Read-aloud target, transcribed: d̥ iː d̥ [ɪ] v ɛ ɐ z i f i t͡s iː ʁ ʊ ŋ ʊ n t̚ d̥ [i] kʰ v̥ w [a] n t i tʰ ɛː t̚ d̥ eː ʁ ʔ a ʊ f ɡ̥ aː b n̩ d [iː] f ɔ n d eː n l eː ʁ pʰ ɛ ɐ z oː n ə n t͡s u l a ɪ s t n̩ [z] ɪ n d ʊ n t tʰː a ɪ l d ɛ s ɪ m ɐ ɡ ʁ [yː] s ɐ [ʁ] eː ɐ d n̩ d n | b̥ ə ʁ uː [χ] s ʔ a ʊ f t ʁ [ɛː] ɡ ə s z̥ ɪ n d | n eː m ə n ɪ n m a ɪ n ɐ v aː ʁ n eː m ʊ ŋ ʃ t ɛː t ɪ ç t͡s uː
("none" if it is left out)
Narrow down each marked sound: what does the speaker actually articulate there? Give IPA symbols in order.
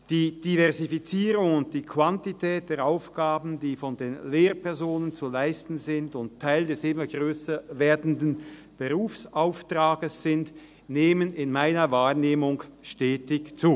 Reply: i, iː, a, iː, z, øː, v, f, aː

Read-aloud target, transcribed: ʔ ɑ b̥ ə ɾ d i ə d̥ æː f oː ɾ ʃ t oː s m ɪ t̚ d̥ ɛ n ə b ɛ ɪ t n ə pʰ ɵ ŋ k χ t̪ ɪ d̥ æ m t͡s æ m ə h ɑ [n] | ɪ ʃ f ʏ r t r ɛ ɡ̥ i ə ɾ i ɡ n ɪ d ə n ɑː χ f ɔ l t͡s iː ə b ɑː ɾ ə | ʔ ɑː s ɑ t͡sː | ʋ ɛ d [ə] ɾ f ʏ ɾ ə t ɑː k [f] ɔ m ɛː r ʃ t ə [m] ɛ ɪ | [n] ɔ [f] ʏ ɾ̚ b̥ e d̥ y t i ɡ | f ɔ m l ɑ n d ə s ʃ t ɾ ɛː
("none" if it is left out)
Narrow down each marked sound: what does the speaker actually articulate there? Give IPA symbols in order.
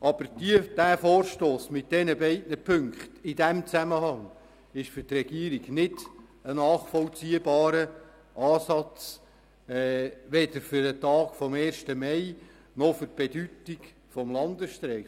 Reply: ŋ, ə, f, m, n, f

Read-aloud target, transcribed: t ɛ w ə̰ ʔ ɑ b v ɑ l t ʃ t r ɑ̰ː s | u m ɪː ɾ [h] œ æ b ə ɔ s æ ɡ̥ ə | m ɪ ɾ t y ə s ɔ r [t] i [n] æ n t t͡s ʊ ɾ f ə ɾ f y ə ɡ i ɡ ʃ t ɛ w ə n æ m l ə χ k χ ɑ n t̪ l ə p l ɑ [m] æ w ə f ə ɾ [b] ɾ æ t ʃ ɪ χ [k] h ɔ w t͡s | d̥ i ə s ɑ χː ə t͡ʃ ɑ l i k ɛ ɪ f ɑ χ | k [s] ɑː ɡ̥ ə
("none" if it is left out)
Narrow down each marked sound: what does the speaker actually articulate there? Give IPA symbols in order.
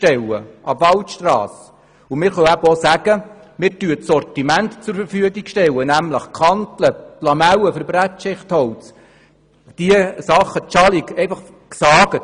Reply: χ, t, m, m, b, t, s

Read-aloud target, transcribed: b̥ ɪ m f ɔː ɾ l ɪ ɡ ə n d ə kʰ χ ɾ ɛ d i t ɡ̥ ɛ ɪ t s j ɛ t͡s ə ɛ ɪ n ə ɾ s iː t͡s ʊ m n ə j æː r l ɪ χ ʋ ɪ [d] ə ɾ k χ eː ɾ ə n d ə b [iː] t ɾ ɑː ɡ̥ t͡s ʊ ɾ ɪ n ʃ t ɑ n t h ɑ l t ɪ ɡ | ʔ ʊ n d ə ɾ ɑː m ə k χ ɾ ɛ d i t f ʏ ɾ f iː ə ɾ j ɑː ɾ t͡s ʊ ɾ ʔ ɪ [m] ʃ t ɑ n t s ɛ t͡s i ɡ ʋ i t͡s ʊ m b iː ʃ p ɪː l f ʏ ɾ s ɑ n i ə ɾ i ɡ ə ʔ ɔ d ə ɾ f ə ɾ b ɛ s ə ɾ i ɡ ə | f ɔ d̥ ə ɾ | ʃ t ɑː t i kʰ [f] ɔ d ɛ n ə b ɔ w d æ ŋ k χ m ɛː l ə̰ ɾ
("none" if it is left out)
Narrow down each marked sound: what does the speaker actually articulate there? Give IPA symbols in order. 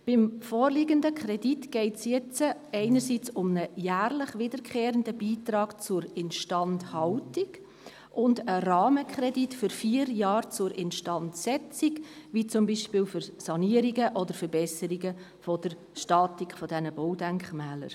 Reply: d, iː, n, f

